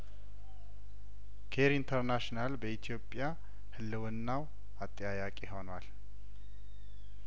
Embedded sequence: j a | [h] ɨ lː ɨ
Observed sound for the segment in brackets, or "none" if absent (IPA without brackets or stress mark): h